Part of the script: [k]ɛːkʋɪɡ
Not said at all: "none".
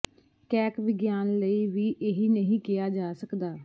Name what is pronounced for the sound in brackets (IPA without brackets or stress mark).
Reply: k